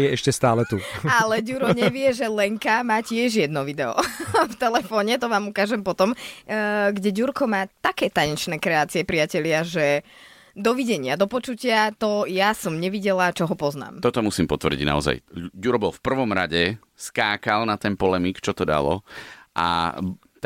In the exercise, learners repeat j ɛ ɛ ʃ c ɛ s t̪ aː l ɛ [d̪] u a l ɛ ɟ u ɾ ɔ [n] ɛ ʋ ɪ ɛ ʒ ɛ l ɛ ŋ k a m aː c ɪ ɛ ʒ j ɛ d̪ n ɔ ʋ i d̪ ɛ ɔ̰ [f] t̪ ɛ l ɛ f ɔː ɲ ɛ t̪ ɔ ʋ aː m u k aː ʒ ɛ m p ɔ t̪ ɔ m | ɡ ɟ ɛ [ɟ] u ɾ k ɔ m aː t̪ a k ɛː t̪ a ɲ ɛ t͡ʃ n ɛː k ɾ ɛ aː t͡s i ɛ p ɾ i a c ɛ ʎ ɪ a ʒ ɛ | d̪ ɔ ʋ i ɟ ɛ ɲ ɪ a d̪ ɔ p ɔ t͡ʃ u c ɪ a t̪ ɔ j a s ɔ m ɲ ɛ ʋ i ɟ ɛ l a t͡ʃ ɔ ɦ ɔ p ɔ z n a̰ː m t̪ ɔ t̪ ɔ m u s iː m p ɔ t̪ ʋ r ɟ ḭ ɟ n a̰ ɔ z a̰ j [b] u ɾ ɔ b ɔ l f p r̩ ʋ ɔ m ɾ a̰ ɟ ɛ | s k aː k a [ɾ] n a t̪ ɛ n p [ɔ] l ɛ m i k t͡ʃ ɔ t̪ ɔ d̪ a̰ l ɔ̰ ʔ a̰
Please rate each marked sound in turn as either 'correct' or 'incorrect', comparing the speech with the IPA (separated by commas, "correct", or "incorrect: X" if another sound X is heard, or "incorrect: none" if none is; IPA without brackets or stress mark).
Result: incorrect: t̪, incorrect: ɲ, correct, correct, incorrect: ɟ, incorrect: l, correct